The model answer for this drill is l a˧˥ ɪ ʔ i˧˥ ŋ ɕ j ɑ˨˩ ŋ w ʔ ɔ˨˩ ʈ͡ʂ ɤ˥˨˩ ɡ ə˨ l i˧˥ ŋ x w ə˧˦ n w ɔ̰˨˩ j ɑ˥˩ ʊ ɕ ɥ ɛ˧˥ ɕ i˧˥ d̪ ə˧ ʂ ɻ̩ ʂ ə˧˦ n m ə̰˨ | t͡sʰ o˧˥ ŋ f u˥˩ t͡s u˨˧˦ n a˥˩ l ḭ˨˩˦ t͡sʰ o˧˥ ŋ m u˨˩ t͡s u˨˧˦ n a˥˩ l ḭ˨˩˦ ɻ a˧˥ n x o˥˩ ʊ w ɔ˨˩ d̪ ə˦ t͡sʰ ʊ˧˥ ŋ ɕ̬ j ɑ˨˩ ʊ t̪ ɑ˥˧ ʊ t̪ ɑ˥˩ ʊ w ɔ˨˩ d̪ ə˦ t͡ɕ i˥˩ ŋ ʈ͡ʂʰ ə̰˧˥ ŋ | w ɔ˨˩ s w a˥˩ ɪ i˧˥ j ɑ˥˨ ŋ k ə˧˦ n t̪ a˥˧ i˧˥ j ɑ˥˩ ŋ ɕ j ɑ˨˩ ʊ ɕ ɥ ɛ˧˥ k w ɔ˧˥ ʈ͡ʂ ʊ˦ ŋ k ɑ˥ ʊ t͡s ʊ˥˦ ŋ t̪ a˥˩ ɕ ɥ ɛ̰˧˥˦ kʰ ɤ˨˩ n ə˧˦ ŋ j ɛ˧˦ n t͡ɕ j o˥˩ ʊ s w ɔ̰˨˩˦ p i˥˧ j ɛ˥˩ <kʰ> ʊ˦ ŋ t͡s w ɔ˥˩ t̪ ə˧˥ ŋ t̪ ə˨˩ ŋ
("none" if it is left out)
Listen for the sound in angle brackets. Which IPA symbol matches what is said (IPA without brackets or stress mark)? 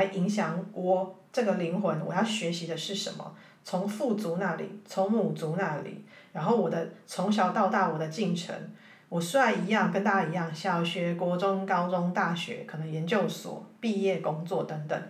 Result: k